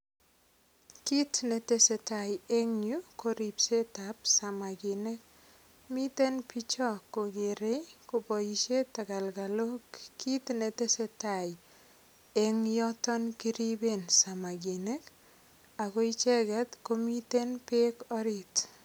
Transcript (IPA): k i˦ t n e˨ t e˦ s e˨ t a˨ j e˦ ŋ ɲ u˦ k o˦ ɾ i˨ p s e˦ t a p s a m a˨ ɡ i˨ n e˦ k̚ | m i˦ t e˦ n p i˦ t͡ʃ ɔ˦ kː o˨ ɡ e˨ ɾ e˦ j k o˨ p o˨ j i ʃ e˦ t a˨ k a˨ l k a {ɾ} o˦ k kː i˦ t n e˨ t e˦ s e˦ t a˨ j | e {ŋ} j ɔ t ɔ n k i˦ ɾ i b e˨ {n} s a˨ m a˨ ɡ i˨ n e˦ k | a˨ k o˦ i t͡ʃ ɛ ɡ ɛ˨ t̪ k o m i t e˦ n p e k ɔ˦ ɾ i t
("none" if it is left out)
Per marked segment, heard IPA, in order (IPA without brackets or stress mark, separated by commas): l, ŋ, n